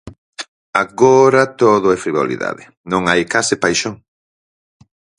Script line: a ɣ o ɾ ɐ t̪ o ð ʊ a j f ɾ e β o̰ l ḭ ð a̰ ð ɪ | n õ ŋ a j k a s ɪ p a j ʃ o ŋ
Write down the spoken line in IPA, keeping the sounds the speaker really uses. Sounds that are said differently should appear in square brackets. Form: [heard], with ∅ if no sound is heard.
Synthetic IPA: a ɣ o ɾ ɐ t̪ o ð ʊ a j f ɾ [i] β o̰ l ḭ ð a̰ ð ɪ | n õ ŋ a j k a s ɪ p a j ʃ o ŋ